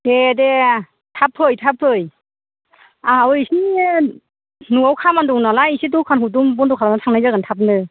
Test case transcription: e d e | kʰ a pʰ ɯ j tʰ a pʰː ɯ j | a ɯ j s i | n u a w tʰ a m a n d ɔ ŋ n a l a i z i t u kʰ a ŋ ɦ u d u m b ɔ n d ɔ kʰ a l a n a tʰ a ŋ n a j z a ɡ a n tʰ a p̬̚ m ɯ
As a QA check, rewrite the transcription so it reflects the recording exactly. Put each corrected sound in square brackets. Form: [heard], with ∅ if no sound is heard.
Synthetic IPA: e d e | [tʰ] a pʰ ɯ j tʰ a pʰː ɯ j | a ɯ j s i | n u a w [kʰ] a m a n d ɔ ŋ n a l a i [s] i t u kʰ a [n] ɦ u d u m b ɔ n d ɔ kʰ a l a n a tʰ a ŋ n a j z a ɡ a n tʰ a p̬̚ [n] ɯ